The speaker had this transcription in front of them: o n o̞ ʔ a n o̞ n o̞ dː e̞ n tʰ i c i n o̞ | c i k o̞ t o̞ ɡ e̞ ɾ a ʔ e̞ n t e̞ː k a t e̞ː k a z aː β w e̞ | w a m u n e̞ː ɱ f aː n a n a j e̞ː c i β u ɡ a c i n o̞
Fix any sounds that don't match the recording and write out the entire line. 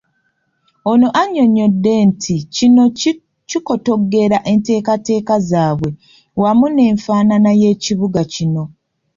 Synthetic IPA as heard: o n o̞ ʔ a ɲ o̞ ɲ o̞ dː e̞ n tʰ i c i n o̞ | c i k o̞ t o̞ ɡ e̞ ɾ a ʔ e̞ n t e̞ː k a t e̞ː k a z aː β w e̞ | w a m u n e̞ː ɱ f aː n a n a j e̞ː c i β u ɡ a c i n o̞